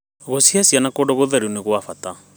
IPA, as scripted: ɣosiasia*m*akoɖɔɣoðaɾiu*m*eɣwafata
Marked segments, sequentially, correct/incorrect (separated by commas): incorrect, incorrect